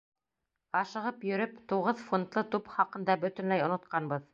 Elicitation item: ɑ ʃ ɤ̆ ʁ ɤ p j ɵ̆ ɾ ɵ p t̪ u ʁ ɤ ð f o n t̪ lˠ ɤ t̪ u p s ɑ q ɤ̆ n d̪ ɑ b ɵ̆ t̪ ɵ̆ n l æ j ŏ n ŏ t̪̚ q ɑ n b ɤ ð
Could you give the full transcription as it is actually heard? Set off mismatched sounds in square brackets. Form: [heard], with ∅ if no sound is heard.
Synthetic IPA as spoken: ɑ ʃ ɤ̆ ʁ ɤ p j ɵ̆ ɾ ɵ p t̪ u ʁ ɤ ð f o n t̪ lˠ ɤ t̪ u p [χ] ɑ q ɤ̆ n d̪ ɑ b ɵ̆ t̪ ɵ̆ n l æ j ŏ n ŏ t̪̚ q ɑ n b ɤ ð